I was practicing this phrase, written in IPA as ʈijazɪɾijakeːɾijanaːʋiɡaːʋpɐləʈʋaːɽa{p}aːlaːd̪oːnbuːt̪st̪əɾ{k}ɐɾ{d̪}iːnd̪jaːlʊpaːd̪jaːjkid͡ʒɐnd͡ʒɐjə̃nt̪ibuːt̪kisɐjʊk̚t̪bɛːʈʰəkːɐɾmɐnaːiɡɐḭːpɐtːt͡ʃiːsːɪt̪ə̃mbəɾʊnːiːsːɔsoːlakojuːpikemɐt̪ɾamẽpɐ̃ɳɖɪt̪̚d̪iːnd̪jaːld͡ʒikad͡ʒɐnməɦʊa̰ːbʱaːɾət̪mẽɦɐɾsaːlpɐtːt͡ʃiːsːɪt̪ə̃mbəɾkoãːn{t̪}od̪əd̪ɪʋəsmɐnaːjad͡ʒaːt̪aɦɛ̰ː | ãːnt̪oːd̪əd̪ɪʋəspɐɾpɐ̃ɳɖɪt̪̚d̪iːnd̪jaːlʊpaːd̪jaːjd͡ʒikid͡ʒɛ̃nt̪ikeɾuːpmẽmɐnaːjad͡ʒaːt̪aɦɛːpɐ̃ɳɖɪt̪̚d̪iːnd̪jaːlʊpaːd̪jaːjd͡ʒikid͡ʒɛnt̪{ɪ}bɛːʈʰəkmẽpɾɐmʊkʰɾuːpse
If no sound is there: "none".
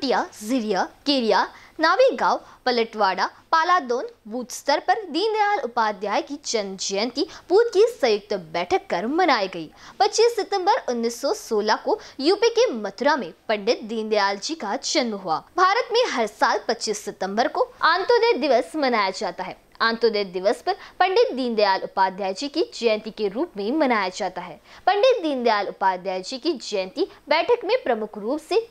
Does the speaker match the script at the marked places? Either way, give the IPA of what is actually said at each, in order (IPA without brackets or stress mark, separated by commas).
p, p, d̪, t̪, i